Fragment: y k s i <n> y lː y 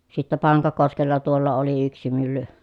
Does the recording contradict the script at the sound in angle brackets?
yes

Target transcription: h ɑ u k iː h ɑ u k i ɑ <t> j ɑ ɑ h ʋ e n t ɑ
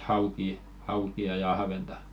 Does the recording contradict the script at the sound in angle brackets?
yes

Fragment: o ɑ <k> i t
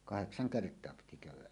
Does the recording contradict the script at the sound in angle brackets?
yes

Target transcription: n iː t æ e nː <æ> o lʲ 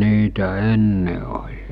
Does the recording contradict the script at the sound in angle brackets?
yes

